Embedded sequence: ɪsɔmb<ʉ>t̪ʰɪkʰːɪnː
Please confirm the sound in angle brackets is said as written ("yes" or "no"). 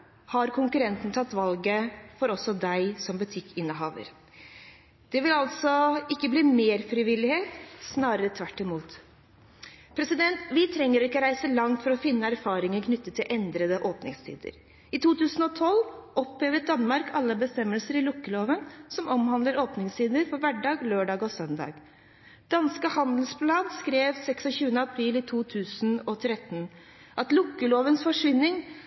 yes